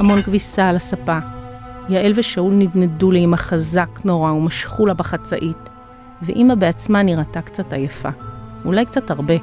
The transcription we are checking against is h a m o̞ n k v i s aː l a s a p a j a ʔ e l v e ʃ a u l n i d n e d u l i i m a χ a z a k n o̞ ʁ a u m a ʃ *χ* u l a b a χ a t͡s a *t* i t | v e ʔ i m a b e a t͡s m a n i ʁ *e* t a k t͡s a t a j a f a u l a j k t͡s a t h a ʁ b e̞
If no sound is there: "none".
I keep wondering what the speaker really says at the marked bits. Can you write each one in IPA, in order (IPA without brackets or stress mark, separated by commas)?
χ, ʔ, a